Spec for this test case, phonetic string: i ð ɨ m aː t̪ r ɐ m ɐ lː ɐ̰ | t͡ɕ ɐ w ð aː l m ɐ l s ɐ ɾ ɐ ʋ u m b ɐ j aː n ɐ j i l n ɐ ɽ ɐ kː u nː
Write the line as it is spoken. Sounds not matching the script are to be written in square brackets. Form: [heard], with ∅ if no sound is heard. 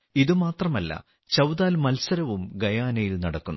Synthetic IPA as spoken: i ð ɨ m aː t̪ r ɐ m ɐ lː ɐ̰ | t͡ɕ ɐ w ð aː l m ɐ l s ɐ ɾ ɐ ʋ u m [ɡ] ɐ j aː n ɐ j i l n ɐ ɽ ɐ kː u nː